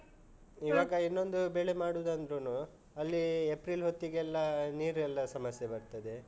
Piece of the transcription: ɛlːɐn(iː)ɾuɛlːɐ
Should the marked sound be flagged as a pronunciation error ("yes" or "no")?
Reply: no